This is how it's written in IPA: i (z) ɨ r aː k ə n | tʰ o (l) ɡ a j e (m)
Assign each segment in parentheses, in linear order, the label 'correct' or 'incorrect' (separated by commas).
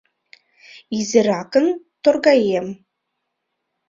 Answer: correct, incorrect, correct